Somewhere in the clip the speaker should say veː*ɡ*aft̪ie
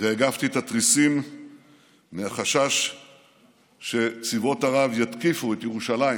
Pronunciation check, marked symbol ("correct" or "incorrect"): correct